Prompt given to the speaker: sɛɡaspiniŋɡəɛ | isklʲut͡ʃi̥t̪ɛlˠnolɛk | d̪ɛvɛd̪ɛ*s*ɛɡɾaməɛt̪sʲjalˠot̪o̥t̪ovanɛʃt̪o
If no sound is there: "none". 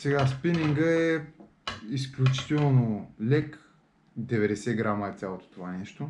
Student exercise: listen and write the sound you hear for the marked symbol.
s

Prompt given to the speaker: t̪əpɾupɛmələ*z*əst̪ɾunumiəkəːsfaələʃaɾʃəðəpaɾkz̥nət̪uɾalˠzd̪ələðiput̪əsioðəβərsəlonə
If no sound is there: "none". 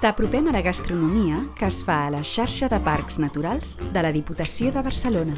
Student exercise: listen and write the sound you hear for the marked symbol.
ɣ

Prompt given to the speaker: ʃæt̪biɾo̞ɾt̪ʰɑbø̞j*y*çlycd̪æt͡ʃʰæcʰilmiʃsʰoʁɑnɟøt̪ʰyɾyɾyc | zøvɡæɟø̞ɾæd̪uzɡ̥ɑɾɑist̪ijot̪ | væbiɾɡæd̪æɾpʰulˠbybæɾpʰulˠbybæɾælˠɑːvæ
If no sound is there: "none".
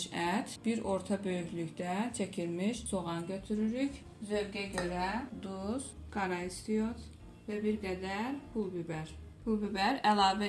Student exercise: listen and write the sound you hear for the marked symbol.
y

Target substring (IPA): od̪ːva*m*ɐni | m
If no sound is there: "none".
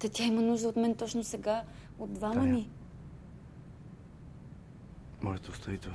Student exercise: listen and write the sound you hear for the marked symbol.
m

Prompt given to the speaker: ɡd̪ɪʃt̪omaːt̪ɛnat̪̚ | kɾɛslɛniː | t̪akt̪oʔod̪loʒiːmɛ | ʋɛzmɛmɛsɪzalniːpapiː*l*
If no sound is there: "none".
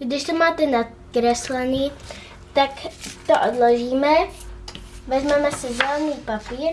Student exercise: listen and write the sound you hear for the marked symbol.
ɾ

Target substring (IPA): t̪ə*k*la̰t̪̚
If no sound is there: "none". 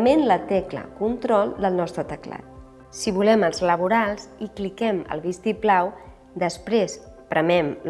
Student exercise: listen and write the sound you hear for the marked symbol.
k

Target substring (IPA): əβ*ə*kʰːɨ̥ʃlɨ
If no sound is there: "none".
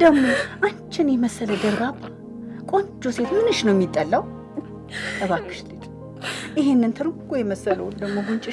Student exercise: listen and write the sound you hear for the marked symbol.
a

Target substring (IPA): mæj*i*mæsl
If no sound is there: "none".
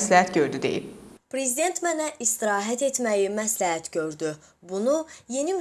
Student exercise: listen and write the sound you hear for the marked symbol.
i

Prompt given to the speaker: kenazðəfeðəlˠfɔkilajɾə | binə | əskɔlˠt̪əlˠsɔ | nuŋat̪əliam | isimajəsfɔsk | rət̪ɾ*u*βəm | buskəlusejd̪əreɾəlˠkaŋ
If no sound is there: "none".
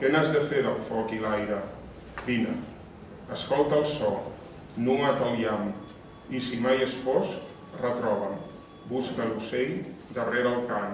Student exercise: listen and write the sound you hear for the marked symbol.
ɔ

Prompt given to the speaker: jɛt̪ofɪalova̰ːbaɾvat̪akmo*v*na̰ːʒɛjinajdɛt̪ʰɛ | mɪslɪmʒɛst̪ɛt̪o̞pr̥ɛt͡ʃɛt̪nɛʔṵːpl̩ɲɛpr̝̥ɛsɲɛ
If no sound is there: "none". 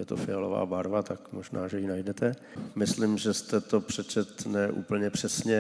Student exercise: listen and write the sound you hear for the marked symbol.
ʒ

